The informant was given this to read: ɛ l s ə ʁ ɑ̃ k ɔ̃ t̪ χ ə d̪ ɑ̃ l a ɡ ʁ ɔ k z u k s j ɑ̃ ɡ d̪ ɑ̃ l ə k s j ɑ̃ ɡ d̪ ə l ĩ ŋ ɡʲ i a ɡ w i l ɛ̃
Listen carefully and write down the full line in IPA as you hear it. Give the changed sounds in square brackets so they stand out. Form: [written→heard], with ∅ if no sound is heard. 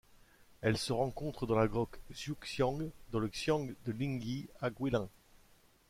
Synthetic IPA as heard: ɛ l s ə ʁ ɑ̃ k ɔ̃ t̪ χ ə d̪ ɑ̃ l a ɡ ʁ ɔ k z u k s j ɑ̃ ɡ d̪ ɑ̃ l ə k s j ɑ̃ ɡ d̪ ə l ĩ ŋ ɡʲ i a ɡ w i l ɛ̃